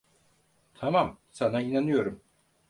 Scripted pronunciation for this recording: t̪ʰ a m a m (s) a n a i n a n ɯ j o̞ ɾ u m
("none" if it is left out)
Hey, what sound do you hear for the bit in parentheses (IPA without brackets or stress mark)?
s